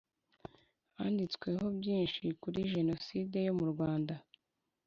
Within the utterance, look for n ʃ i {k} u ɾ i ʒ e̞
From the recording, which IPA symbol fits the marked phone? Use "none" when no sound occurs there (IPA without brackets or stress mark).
k